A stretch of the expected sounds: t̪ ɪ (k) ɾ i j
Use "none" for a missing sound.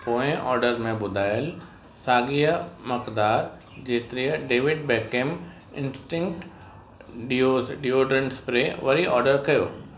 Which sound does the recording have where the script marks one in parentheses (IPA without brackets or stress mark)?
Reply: none